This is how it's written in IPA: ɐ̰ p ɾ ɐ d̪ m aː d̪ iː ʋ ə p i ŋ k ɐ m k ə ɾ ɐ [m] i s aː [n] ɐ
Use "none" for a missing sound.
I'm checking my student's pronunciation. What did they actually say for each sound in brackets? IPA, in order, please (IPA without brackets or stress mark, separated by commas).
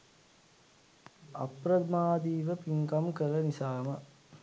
n, m